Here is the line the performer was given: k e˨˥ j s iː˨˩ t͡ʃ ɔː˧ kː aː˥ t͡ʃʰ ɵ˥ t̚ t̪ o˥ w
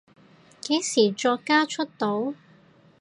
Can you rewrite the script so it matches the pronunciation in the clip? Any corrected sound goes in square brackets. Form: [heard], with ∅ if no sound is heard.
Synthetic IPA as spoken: k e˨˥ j s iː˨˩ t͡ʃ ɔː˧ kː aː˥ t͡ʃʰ ɵ˥ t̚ t̪ [o˨˥] w